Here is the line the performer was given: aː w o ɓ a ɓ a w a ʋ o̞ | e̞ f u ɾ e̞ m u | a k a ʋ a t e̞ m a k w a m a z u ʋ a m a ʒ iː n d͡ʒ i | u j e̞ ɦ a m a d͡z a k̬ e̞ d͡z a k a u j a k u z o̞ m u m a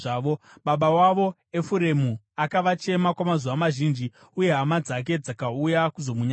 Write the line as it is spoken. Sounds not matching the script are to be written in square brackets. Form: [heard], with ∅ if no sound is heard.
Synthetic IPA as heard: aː [ʋ] o ɓ a ɓ a w a ʋ o̞ | e̞ f u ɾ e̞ m u | a k a ʋ a [t͡ʃ] e̞ m a k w a m a z u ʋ a m a ʒ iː n d͡ʒ i | u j e̞ ɦ a m a d͡z a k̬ e̞ d͡z a k a u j a k u z o̞ m u [ɲ] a